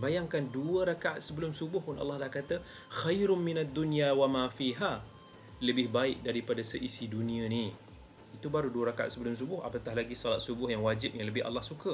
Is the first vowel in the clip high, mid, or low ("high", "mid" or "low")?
low